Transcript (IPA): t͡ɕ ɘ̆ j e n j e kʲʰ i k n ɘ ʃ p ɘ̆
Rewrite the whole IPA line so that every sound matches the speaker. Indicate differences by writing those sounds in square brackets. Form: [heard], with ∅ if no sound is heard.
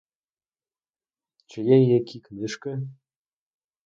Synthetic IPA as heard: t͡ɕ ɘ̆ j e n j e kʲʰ i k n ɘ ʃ [k] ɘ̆